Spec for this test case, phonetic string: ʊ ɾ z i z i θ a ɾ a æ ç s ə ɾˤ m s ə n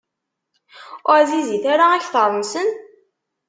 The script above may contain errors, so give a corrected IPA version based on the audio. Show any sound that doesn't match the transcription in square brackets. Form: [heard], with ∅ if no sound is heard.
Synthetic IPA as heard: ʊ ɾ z i z i θ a ɾ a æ ç [θ] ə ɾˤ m s ə n